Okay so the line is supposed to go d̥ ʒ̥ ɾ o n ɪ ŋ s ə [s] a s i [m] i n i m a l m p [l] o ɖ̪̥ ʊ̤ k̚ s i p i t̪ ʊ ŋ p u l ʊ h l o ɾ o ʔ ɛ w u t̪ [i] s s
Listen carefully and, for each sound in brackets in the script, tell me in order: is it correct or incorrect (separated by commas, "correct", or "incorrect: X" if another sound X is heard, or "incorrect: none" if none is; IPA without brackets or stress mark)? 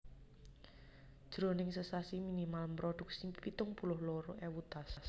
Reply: correct, correct, incorrect: ɾ, incorrect: a